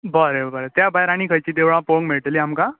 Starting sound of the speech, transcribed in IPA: b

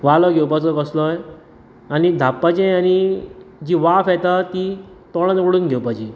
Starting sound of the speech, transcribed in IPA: ʋ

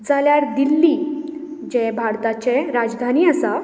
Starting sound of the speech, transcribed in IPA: d͡z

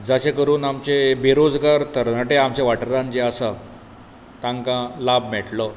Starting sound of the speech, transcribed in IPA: d͡z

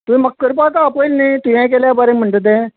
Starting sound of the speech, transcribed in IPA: t̪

